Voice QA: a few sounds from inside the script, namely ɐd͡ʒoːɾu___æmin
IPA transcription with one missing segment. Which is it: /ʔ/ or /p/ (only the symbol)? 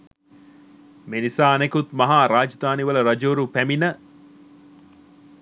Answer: p